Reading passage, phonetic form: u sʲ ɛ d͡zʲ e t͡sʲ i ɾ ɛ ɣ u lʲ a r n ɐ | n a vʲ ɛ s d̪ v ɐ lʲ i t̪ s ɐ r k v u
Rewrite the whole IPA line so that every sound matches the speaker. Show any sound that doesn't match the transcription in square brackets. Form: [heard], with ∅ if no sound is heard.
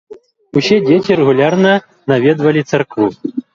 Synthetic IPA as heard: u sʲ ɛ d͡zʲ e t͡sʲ i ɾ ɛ ɣ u lʲ a r n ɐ | n a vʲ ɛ [∅] d̪ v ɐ lʲ i t̪ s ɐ r k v u